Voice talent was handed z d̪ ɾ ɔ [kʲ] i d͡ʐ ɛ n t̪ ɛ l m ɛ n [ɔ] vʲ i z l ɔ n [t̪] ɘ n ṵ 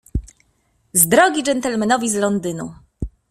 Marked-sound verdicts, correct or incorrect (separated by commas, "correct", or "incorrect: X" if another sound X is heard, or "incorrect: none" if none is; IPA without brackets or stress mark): incorrect: ɡʲ, correct, incorrect: d̪